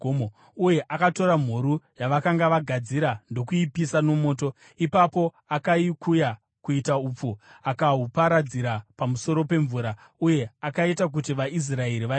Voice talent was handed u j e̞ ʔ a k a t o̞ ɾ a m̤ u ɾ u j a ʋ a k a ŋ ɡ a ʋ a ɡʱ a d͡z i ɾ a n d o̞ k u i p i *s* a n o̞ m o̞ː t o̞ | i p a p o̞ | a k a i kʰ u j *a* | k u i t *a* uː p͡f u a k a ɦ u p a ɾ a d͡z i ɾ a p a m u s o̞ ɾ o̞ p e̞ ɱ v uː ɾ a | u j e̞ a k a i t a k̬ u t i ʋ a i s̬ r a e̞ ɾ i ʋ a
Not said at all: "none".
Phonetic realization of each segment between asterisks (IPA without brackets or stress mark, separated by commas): s, a, a